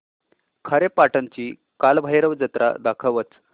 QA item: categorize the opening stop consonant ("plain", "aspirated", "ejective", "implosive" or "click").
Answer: aspirated